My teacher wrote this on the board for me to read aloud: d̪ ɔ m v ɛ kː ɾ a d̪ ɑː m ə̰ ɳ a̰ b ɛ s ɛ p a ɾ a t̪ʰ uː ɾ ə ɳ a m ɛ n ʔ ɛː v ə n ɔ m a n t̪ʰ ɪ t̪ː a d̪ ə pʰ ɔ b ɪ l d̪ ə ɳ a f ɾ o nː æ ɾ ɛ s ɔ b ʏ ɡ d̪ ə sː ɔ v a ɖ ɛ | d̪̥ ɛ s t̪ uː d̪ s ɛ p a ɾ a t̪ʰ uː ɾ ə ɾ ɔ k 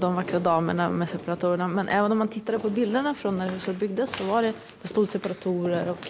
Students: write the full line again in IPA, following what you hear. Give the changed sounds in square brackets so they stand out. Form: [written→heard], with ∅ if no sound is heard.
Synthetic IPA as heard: d̪ ɔ m v [ɛ→a] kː ɾ a d̪ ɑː m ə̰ ɳ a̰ [b→m] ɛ s ɛ p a ɾ a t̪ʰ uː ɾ ə ɳ a m ɛ n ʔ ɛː v ə n ɔ m a n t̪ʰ ɪ t̪ː a d̪ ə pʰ ɔ b ɪ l d̪ ə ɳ a f ɾ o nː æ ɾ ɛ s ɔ b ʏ ɡ d̪ ə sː ɔ v a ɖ ɛ | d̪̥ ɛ s t̪ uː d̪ s ɛ p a ɾ a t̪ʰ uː ɾ ə ɾ ɔ k